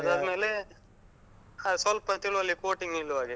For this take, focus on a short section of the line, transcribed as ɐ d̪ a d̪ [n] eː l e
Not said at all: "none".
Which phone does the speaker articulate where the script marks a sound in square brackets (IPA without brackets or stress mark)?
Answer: m